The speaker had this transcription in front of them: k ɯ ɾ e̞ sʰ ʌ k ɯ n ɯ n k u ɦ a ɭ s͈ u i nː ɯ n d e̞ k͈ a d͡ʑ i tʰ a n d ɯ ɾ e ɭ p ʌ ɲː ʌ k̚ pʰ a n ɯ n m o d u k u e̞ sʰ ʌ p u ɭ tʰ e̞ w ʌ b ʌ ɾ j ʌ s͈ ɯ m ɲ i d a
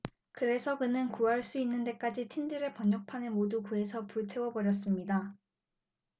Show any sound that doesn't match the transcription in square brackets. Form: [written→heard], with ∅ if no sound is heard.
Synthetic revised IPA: k ɯ ɾ e̞ sʰ ʌ k ɯ n ɯ n k u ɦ a ɭ s͈ u i nː ɯ n d e̞ k͈ a d͡ʑ i tʰ [a→i] n d ɯ ɾ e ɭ p ʌ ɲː ʌ k̚ pʰ a n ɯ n m o d u k u e̞ sʰ ʌ p u ɭ tʰ e̞ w ʌ b ʌ ɾ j ʌ s͈ ɯ m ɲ i d a